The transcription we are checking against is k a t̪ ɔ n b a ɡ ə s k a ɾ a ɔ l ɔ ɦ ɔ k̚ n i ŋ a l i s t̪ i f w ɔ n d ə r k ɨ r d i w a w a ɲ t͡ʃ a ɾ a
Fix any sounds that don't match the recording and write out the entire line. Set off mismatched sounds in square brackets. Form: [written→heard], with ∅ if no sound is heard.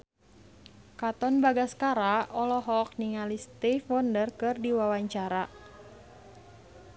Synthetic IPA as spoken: k a t̪ ɔ n b a ɡ [ə→a] s k a ɾ a ɔ l ɔ ɦ ɔ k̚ n i ŋ a l i s t̪ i f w ɔ n d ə r k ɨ r d i w a w a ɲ t͡ʃ a ɾ a